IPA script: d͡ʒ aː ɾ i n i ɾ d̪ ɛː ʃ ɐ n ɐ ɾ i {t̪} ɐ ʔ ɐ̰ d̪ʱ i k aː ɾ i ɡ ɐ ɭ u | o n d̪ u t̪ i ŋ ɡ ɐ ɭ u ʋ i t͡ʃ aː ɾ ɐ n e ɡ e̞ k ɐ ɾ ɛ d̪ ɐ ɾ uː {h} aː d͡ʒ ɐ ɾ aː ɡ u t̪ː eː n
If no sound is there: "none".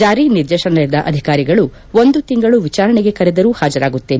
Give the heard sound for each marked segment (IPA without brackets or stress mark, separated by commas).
d̪, h